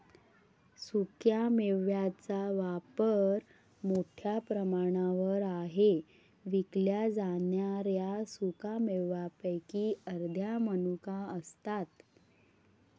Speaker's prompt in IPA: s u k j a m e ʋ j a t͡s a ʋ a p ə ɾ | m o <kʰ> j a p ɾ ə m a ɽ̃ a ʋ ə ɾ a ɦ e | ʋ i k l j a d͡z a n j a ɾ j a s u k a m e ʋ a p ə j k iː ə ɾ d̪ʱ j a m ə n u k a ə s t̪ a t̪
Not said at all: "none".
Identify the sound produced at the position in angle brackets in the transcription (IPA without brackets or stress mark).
ʈʰ